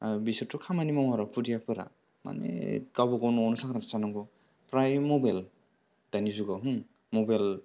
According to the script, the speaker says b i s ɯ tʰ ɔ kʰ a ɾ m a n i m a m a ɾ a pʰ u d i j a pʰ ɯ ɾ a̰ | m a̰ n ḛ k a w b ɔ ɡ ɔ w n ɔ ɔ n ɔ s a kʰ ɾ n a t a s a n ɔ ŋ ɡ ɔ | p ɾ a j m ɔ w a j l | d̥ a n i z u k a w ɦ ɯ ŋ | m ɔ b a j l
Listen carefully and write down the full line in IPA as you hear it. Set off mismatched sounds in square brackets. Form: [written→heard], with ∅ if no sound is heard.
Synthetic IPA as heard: b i s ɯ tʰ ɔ kʰ a [ɾ→∅] m a n i m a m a ɾ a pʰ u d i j a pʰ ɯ ɾ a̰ | m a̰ n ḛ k a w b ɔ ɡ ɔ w n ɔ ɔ n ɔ s a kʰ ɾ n a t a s a n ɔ ŋ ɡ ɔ | p ɾ a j m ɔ [w→b] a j l | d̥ a n i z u [k→ɡ] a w ɦ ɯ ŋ | m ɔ b a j l